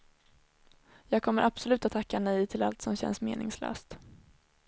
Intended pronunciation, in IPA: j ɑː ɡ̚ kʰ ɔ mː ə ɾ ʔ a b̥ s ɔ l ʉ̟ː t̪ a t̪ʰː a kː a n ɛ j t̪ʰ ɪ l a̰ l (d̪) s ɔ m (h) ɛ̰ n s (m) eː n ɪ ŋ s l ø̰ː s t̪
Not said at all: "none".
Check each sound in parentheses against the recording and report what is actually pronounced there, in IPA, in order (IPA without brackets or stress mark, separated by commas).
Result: t̪, ɕ, m